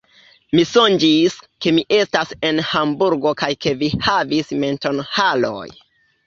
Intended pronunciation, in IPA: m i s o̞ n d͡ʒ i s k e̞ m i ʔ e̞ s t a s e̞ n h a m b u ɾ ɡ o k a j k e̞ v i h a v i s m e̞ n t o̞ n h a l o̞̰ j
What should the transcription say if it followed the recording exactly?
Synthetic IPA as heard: m i s o̞ n d͡ʒ i s k e̞ m i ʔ e̞ s t a s e̞ n h a m b u ɾ ɡ o k a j k e̞ v i h a v i s m e̞ n t o̞ n h a l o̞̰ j